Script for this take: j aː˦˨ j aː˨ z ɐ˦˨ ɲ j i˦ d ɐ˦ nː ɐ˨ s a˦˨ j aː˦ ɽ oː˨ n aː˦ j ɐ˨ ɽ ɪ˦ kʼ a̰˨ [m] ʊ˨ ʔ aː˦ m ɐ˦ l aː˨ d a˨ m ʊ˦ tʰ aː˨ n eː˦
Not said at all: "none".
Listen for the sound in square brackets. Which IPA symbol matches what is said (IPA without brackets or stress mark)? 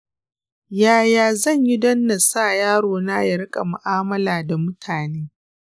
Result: m